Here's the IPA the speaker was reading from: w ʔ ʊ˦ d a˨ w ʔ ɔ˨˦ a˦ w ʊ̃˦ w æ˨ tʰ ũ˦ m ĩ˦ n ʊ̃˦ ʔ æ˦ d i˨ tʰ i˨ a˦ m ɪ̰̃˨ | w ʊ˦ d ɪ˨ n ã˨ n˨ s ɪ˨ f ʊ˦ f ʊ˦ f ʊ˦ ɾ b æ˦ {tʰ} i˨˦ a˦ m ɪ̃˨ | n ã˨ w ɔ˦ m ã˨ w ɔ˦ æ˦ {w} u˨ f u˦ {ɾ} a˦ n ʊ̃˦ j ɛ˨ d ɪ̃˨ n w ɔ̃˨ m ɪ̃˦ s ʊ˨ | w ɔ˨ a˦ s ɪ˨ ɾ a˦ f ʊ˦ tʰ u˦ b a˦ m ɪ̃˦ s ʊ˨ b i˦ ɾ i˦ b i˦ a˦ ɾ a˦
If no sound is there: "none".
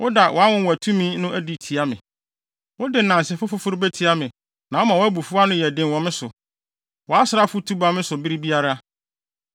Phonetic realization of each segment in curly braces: tʰ, b, none

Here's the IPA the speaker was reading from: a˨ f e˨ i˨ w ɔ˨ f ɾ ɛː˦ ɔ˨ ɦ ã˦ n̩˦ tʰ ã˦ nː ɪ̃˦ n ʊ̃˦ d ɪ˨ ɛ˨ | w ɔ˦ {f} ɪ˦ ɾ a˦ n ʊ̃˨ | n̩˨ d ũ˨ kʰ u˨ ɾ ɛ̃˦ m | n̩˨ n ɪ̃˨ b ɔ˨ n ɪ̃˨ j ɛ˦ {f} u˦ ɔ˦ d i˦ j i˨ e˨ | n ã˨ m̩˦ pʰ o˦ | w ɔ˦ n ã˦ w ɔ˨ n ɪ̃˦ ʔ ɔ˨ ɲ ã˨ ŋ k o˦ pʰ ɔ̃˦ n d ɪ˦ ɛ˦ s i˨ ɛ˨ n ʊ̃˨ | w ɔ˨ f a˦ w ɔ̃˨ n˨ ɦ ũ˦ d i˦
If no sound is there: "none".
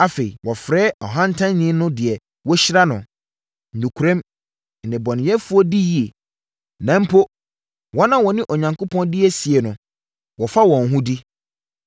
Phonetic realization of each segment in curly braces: ɕ, f

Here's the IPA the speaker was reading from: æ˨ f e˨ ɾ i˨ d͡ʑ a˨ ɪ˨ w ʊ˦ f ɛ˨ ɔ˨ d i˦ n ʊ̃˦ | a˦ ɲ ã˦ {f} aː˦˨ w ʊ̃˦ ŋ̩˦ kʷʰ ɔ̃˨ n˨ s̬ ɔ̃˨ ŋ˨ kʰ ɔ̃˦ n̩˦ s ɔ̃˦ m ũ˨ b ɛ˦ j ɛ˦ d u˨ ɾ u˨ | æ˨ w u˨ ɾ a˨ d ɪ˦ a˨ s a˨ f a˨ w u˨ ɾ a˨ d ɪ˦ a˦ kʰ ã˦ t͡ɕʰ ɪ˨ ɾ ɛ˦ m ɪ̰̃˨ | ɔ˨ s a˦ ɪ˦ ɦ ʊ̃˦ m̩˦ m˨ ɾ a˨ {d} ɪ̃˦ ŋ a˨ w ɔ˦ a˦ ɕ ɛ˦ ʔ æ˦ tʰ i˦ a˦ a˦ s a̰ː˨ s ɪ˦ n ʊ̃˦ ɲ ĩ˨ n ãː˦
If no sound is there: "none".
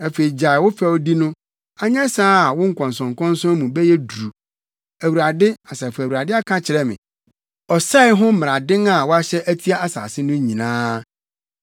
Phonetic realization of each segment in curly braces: s, d

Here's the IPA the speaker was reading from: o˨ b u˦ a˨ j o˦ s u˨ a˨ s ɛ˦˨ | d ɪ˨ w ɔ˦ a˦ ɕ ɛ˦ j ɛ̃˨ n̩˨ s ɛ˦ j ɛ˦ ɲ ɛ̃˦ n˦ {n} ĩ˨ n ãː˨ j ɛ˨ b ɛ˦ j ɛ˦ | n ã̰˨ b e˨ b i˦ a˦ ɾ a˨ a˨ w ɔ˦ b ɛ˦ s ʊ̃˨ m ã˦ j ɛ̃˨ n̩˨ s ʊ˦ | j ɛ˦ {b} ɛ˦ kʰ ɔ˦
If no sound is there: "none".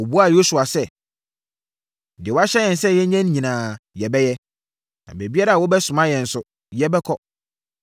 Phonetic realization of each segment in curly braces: ɲ, b

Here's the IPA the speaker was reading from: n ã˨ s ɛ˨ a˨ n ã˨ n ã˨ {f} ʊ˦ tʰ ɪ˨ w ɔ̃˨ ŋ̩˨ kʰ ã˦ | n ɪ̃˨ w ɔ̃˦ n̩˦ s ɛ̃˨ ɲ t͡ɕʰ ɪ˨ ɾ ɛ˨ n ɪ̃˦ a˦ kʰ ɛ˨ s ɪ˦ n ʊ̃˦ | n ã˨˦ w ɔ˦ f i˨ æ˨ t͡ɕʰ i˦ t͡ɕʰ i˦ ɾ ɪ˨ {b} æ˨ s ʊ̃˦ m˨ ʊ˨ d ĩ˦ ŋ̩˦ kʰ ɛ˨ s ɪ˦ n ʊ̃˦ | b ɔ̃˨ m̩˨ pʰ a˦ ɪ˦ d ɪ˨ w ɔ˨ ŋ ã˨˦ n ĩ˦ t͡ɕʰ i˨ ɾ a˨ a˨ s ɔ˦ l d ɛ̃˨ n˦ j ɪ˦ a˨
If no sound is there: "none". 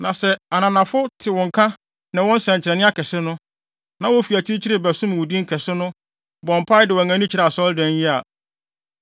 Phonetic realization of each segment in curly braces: f, b

